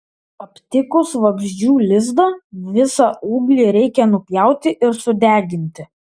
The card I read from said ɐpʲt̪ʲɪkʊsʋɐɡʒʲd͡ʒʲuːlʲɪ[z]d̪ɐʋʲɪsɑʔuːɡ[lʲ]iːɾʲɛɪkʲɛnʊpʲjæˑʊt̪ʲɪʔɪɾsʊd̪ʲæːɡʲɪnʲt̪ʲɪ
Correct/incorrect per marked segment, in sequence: correct, correct

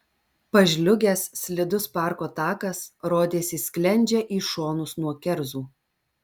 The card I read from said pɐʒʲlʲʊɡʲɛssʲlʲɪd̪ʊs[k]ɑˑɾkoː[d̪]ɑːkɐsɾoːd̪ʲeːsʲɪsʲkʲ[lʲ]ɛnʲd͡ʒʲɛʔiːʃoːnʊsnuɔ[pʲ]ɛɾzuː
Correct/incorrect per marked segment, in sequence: incorrect, incorrect, correct, incorrect

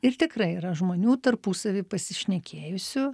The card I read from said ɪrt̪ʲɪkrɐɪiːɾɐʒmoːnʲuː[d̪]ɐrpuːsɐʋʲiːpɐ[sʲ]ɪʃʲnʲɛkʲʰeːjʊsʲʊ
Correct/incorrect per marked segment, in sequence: incorrect, correct

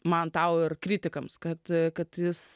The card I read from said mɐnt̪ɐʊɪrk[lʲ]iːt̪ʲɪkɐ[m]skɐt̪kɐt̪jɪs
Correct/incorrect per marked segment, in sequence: incorrect, correct

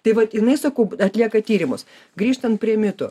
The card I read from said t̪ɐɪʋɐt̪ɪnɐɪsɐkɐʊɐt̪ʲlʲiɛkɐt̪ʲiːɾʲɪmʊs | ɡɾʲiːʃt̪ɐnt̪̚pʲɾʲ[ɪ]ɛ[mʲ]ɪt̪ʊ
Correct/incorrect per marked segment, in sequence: incorrect, correct

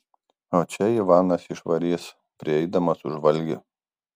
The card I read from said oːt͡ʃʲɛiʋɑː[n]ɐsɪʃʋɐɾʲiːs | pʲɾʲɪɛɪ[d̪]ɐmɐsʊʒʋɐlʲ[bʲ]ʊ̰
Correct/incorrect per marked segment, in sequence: correct, correct, incorrect

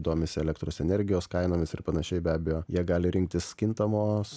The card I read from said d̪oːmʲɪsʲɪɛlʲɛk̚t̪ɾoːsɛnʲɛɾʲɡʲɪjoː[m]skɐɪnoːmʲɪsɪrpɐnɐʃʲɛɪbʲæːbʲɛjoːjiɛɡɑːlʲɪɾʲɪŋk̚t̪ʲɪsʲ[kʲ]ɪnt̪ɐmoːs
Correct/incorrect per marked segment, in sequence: incorrect, correct

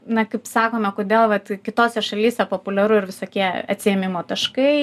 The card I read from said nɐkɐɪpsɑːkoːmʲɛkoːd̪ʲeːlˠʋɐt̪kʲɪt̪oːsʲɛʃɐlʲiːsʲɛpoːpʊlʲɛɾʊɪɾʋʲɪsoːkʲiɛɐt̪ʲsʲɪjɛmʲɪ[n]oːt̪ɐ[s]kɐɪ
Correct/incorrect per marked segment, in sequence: incorrect, incorrect

